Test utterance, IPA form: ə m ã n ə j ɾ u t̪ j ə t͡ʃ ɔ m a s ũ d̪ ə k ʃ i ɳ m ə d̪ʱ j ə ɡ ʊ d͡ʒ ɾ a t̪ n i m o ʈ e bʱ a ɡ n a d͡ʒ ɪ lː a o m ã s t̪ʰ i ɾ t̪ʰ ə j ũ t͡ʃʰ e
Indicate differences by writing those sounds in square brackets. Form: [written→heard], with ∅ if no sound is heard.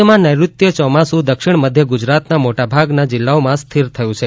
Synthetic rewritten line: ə m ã n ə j ɾ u t̪ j ə t͡ʃ ɔ m a s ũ d̪ ə k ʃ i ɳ m ə d̪ʱ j ə ɡ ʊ d͡ʒ ɾ a t̪ n [i→a] m o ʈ [e→a] bʱ a ɡ n a d͡ʒ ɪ lː a o m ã s t̪ʰ i ɾ t̪ʰ ə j ũ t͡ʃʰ e